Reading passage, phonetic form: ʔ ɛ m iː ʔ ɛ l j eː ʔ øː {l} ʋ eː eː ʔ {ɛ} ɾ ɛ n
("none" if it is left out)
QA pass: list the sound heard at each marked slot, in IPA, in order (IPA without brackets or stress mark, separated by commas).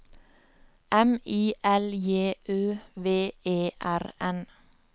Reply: none, æ